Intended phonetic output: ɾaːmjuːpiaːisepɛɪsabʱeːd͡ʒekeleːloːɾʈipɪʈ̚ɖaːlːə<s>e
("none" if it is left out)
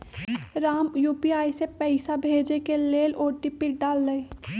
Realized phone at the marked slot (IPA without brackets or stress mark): none